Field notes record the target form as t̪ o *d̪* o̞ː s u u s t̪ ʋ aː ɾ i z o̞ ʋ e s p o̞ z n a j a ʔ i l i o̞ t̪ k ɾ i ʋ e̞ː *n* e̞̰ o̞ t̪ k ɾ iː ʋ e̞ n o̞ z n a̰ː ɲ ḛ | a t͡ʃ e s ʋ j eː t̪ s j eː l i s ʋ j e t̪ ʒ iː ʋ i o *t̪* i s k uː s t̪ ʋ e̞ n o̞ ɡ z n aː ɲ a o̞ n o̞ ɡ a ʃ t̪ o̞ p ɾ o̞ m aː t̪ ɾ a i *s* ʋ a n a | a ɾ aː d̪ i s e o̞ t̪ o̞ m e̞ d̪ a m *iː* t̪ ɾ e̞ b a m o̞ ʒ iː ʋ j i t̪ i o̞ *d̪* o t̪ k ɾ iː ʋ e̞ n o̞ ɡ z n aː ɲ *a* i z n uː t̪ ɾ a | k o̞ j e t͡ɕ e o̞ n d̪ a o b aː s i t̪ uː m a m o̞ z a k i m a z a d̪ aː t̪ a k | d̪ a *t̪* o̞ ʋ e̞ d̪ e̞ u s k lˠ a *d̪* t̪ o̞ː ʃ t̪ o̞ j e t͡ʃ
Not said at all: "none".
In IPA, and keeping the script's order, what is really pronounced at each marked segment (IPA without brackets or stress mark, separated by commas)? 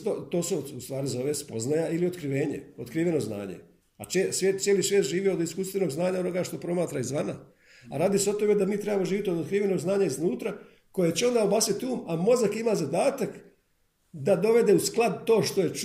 t̪, ɲ, d̪, z, iː, d̪, a, d̪, d̪